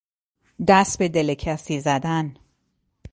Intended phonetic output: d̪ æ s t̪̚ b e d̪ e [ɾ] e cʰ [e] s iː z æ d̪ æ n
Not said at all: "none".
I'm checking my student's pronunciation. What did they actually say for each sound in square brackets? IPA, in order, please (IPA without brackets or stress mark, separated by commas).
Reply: l, æ